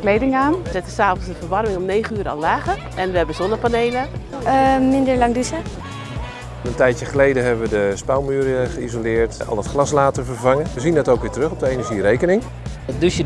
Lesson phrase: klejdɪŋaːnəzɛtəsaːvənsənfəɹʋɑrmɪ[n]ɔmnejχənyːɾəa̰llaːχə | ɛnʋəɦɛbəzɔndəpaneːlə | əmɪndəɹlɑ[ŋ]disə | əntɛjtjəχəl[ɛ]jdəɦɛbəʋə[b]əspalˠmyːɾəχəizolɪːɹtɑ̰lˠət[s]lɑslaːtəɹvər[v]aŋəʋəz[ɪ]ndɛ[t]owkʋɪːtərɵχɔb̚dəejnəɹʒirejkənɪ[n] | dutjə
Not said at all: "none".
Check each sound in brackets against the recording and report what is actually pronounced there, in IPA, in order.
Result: ŋ, ŋ, e, d, χ, v, i, t, ŋ

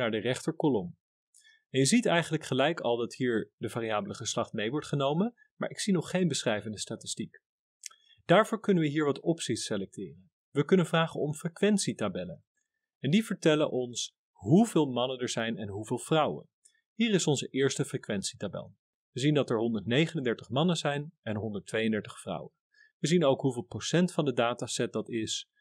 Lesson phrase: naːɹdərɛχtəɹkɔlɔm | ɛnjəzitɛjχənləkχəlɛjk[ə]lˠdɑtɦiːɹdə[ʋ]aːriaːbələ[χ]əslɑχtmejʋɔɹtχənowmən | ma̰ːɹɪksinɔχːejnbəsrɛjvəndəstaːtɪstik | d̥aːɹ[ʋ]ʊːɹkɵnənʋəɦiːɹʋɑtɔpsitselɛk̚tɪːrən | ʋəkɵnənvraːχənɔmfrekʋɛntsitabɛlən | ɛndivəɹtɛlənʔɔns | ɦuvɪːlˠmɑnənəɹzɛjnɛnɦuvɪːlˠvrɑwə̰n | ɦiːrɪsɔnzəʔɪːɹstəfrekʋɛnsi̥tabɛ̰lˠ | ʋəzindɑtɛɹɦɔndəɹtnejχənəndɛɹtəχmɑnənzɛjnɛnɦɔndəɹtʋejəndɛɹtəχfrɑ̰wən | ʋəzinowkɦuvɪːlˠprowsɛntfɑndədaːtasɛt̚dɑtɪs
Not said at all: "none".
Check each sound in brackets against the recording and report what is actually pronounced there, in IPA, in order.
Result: ɑ, v, χ, v

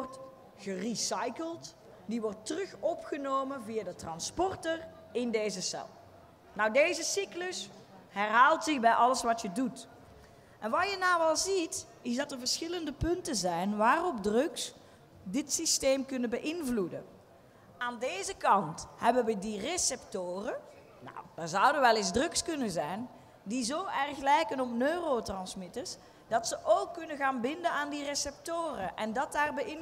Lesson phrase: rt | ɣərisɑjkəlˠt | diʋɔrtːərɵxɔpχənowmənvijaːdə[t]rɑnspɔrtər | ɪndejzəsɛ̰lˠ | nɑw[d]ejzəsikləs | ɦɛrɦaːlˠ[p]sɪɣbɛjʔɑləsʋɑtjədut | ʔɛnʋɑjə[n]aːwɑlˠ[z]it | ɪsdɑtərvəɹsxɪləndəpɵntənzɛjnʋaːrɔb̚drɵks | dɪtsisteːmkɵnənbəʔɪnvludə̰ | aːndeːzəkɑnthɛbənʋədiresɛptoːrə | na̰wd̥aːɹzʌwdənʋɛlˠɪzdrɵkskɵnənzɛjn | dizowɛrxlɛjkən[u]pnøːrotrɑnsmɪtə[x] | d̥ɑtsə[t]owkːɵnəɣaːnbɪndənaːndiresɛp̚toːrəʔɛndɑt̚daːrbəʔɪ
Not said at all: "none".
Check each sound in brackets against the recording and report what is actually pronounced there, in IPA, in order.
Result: t, d, t, n, z, ɔ, s, ʔ

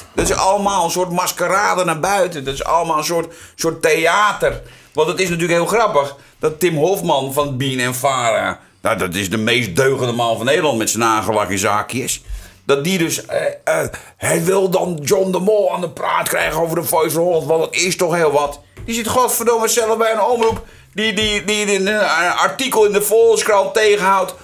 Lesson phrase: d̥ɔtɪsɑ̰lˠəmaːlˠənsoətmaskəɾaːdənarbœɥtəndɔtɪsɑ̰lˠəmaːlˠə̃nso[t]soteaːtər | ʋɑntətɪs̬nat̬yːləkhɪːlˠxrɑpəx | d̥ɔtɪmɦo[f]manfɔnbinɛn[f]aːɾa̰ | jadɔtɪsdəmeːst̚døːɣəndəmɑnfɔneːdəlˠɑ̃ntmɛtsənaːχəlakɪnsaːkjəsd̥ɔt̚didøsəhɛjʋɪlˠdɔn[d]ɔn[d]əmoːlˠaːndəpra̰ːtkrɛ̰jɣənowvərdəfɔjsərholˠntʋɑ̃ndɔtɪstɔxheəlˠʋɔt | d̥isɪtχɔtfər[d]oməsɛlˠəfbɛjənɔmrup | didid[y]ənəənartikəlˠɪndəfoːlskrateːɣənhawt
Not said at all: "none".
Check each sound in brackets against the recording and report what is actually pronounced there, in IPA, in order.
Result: t, f, f, d͡ʒ, d, d, i

